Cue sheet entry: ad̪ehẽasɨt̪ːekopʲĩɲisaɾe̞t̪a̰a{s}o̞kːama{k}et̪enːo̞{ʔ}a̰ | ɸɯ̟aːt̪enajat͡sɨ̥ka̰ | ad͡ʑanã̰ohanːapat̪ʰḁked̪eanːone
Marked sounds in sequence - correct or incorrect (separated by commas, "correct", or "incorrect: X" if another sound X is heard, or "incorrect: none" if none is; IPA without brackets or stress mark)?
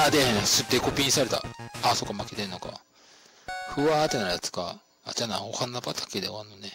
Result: correct, correct, incorrect: k